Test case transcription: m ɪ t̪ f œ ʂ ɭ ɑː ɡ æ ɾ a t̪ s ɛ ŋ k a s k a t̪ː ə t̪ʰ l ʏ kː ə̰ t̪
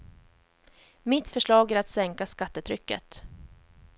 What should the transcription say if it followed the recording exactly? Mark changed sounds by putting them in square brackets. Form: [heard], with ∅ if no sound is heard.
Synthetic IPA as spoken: m ɪ t̪ f œ ʂ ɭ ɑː ɡ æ ɾ a t̪ s ɛ ŋ k a s k a t̪ː ə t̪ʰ [ɾ] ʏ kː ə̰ t̪